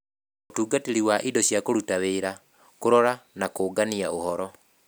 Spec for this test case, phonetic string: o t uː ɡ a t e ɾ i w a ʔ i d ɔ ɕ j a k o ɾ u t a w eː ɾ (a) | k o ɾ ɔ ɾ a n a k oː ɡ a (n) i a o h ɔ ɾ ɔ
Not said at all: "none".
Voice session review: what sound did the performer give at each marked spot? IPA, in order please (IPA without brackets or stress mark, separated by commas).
a, n